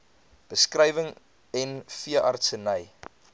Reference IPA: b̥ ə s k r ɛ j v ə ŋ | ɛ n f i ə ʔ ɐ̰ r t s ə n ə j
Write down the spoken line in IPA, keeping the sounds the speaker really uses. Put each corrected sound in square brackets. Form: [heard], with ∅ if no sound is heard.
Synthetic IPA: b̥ ə s k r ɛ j v ə ŋ | ɛ n f i ə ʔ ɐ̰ r t s ə n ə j